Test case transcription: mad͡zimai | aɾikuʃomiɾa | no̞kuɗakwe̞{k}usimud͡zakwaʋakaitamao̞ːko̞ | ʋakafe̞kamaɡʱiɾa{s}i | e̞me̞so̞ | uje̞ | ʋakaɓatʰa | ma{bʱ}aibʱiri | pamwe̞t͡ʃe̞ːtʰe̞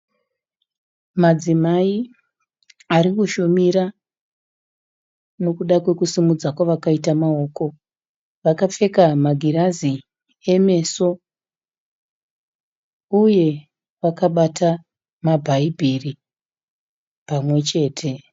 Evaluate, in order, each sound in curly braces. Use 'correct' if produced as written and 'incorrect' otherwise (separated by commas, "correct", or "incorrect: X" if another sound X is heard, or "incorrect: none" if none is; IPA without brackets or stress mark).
correct, incorrect: z, correct